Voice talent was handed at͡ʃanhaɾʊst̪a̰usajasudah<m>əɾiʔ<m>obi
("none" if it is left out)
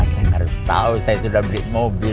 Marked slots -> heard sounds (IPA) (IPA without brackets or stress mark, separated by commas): b, m